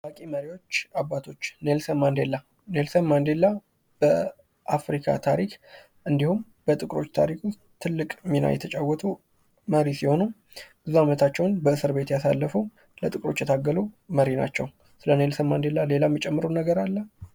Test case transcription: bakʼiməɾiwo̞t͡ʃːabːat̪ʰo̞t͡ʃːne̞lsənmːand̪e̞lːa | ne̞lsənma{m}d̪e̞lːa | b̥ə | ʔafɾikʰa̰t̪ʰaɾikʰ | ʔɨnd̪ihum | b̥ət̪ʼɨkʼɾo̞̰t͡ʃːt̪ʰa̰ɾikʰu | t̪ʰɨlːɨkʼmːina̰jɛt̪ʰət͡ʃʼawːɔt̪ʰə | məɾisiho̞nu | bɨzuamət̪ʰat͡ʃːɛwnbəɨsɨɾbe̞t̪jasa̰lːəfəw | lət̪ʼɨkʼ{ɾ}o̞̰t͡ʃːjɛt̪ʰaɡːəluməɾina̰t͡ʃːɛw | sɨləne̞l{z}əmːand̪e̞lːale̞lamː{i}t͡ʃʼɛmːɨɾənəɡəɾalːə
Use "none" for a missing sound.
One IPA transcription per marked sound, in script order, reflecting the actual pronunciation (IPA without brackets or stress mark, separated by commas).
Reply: n, ɾ, s, i